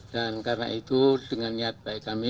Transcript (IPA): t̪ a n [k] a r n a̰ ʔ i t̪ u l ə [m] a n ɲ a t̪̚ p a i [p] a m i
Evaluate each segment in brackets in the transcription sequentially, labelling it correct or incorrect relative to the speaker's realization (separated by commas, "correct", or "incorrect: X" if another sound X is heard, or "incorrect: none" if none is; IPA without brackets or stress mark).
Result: correct, incorrect: ŋ, incorrect: k